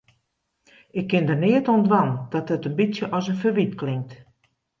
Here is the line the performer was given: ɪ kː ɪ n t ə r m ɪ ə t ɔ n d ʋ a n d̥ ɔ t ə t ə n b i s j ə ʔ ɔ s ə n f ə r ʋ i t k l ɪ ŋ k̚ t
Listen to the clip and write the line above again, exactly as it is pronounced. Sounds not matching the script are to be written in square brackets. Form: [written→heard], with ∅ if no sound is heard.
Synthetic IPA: ɪ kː ɪ n [t→d] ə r [m→n] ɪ ə t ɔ n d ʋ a n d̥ ɔ t ə t ə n b i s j ə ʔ ɔ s ə n f ə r ʋ i t k l ɪ ŋ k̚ t